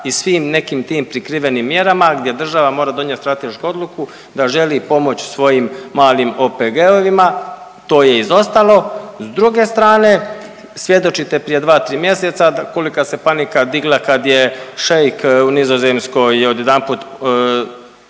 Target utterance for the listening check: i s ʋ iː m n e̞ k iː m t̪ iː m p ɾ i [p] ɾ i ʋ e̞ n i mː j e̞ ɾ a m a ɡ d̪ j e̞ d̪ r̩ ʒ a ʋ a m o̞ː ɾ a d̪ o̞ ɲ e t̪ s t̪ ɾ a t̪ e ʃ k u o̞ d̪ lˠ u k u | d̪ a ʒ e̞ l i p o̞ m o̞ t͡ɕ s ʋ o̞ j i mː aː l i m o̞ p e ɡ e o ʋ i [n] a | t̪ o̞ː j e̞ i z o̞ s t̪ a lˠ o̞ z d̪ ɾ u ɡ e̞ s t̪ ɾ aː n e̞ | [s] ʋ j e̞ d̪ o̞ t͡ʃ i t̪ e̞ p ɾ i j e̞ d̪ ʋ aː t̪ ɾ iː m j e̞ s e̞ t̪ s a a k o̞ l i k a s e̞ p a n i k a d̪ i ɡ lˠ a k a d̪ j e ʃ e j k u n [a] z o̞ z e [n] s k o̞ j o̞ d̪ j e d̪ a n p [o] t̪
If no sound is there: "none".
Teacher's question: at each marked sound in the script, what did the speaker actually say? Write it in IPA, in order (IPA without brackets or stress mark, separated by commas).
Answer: k, m, s, i, m, u